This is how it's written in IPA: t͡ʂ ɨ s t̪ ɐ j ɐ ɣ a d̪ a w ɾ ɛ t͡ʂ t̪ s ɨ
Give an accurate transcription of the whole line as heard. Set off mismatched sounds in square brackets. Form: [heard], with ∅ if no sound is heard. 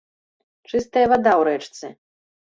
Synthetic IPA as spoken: t͡ʂ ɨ s t̪ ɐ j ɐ [v] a d̪ a w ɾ ɛ t͡ʂ t̪ s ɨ